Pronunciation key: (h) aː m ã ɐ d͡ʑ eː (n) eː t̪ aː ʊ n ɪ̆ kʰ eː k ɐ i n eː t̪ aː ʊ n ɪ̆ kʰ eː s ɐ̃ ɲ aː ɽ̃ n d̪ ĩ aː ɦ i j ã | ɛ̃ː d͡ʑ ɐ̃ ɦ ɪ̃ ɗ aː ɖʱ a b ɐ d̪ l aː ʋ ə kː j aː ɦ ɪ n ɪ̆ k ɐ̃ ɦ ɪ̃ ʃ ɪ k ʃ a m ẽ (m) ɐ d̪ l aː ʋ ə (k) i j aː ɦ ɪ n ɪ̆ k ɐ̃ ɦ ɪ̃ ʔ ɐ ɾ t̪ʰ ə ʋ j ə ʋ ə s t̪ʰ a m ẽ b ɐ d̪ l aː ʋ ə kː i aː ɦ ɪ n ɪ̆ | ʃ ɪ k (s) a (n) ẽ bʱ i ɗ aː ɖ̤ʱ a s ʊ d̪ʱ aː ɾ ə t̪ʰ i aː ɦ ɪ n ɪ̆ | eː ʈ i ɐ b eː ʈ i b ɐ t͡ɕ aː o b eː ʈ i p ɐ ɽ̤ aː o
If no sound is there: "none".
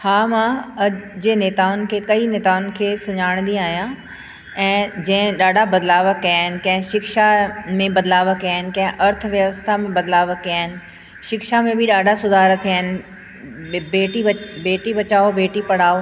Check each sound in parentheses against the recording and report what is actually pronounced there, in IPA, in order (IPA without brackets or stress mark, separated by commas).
h, n, b, k, ʃ, m